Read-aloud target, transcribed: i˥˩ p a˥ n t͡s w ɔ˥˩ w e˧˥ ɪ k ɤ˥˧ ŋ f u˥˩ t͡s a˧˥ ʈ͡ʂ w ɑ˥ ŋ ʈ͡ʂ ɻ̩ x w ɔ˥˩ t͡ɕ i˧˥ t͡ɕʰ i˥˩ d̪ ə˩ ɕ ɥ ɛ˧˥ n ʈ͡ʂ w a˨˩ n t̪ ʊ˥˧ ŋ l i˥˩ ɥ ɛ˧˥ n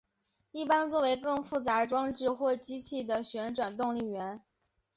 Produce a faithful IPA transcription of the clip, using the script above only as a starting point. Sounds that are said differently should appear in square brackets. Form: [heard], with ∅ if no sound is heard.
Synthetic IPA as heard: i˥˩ p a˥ n t͡s w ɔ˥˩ w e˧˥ ɪ k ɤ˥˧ ŋ f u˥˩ t͡s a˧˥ ʈ͡ʂ w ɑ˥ ŋ ʈ͡ʂ ɻ̩ x w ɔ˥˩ t͡ɕ [i˥] t͡ɕʰ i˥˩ d̪ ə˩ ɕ ɥ ɛ˧˥ n ʈ͡ʂ w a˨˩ n t̪ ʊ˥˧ ŋ l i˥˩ ɥ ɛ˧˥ n